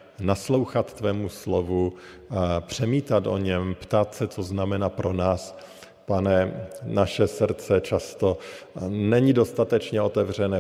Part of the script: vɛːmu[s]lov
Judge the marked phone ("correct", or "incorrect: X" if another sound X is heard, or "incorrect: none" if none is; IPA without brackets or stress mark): correct